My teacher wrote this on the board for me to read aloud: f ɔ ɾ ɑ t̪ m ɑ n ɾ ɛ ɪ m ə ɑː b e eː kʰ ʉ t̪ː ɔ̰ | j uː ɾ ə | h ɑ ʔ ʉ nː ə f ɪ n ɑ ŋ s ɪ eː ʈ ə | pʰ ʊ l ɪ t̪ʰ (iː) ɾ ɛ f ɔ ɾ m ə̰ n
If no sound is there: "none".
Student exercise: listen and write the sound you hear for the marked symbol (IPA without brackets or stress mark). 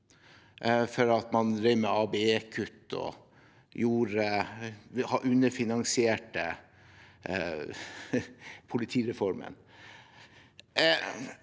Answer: iː